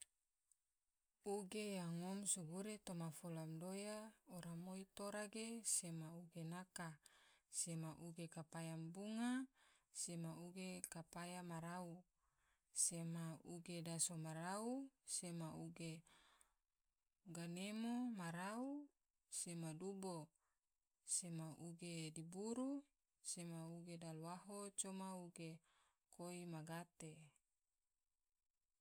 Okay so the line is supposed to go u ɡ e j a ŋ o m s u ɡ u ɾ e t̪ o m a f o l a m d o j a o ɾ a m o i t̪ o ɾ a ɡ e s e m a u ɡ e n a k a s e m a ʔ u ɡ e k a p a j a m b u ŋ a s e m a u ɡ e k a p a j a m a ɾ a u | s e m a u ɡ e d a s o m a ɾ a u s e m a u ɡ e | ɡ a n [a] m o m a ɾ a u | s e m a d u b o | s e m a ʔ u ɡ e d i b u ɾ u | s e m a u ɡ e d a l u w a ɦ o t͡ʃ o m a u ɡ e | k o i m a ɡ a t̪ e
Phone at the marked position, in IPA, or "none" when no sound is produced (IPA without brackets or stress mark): e